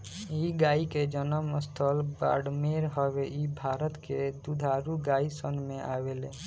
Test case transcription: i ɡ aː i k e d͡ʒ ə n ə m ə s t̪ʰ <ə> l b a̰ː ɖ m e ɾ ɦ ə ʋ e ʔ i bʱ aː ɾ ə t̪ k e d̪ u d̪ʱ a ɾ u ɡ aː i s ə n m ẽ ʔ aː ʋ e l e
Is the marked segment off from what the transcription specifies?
no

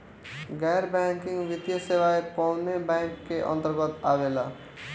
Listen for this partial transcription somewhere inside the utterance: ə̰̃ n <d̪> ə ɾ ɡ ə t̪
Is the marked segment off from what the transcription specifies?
yes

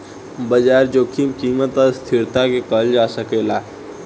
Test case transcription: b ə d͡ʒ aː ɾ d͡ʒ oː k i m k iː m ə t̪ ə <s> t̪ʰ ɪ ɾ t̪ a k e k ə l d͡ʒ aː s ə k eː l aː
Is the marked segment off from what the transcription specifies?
no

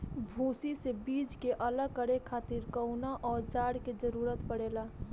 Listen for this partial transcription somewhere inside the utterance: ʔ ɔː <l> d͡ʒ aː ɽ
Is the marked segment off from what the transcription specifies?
yes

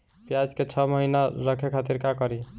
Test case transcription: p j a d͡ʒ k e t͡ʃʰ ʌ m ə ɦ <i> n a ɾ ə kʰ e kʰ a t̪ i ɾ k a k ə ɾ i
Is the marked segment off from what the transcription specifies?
no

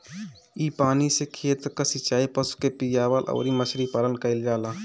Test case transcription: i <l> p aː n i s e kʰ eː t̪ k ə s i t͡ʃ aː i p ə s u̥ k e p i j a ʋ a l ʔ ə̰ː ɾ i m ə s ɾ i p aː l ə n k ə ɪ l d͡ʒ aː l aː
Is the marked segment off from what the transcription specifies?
yes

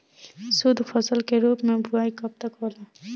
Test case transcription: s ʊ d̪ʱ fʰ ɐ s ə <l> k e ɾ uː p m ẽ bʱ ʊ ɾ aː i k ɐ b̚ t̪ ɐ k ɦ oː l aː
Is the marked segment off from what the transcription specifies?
no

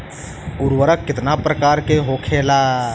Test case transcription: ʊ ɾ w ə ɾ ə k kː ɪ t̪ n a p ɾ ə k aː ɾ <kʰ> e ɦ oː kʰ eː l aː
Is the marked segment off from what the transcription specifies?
yes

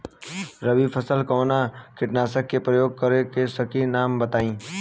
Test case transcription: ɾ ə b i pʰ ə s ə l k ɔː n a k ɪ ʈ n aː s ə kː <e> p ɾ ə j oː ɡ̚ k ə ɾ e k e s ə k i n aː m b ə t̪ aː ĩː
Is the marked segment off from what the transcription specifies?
no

